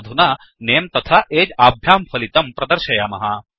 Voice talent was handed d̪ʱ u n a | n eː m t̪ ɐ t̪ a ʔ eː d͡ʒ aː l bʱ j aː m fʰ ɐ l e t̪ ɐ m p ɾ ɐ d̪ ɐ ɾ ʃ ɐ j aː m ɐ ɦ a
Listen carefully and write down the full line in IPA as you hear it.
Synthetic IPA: d̪ʱ u n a | n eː m t̪ ɐ t̪ʰ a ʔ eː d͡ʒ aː bʱ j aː m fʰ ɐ l i t̪ ɐ m p ɾ ɐ d̪ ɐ ɾ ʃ ɐ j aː m ɐ ɦ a